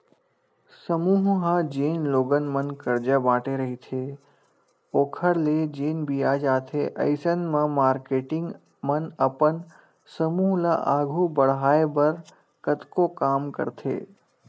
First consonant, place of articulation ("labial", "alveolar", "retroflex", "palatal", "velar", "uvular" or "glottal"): alveolar